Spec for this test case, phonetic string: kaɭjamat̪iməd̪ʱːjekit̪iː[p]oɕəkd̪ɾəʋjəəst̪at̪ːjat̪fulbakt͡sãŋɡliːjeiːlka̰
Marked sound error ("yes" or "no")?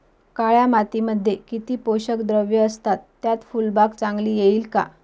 no